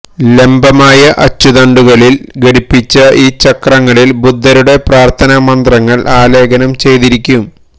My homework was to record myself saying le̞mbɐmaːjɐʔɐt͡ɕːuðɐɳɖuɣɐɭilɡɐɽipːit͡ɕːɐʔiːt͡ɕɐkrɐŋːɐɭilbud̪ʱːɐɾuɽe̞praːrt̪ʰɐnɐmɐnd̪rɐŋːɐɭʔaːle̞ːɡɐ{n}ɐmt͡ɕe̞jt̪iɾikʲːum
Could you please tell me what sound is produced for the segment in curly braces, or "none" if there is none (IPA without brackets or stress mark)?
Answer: n